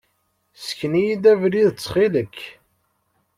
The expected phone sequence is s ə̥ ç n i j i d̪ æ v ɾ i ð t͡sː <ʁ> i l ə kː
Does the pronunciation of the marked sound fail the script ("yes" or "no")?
yes